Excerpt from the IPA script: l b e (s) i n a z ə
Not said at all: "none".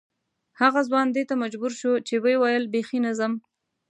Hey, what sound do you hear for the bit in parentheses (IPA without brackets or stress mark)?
x